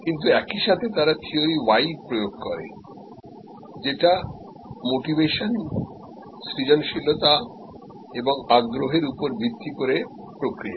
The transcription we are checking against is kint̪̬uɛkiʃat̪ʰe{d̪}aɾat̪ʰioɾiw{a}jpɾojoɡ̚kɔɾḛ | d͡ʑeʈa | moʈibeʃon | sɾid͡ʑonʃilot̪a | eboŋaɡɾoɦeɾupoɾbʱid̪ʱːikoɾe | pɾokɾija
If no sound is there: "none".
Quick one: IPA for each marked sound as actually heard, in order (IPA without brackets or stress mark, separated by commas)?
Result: t̪, a